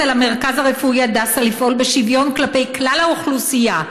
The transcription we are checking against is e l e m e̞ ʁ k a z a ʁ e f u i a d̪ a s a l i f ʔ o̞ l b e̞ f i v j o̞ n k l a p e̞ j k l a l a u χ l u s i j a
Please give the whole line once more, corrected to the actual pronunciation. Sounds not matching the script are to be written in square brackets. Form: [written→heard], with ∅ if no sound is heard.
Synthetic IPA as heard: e l [e→a] m e̞ ʁ k a z a ʁ e f u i a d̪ a s a l i f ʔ o̞ l b e̞ [f→ʃ] i v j o̞ n k l a p e̞ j k l a l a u χ l u s i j a